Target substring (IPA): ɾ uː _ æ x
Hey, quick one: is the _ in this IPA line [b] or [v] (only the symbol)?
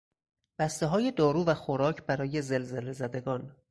v